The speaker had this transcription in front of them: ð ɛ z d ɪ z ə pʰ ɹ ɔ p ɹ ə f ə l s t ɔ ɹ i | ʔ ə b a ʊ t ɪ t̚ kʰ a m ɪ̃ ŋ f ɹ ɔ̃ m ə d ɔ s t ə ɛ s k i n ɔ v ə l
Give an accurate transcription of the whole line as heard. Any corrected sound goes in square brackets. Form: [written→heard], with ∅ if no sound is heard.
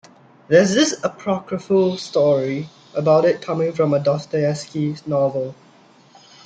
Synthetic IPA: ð ɛ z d ɪ [z→s] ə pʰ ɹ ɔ [p→k] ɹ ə f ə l s t ɔ ɹ i | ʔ ə b a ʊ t ɪ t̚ kʰ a m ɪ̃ ŋ f ɹ ɔ̃ m ə d ɔ s t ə ɛ s k i n ɔ v ə l